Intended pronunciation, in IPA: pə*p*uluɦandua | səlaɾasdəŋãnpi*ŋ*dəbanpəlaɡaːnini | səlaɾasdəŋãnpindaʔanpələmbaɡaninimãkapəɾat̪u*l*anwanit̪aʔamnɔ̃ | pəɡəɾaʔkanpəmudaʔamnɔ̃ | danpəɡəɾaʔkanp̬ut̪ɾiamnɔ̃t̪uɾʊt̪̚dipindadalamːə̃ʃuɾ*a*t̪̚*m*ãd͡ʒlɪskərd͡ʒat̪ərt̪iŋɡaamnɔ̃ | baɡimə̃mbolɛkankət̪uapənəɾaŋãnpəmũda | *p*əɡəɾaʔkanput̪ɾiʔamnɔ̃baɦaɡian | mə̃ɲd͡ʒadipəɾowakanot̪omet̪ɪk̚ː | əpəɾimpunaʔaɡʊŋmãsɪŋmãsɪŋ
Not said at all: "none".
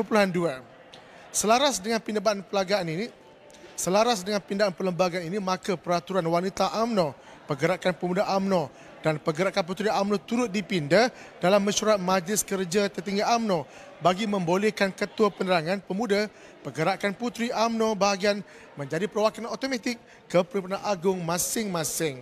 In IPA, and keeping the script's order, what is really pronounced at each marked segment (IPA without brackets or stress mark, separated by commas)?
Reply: p, n, ɾ, a, m, p